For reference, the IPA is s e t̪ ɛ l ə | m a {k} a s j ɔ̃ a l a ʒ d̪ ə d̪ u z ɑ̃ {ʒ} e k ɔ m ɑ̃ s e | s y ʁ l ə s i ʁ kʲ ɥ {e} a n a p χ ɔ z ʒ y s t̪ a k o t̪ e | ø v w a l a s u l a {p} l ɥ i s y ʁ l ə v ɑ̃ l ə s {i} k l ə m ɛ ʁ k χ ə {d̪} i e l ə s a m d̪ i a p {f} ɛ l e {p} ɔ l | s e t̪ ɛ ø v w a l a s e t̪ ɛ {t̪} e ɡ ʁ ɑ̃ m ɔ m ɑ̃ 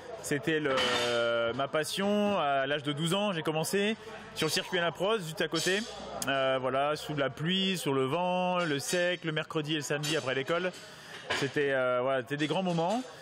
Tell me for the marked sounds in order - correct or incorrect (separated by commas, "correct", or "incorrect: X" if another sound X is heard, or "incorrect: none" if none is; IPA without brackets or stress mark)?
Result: incorrect: p, correct, incorrect: i, correct, incorrect: ɛ, correct, incorrect: χ, incorrect: k, incorrect: d̪